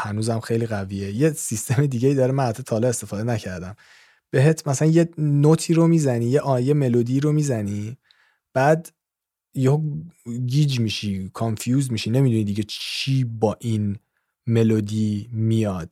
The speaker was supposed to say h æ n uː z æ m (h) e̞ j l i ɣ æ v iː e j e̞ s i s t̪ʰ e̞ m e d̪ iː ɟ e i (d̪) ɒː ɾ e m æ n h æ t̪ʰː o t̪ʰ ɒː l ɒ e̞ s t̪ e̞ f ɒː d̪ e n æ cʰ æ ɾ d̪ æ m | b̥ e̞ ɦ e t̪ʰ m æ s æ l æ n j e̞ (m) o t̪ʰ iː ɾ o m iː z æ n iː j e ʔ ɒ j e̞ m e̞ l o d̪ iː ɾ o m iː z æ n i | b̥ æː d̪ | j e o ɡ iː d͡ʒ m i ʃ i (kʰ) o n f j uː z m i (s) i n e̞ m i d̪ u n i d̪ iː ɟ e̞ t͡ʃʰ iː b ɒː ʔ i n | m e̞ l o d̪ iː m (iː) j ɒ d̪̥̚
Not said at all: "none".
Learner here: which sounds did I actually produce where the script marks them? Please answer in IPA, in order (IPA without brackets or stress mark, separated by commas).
x, d̪, n, kʰ, ʃ, i